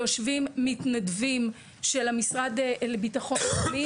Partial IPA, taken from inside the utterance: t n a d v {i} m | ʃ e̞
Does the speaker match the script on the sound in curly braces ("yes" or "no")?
yes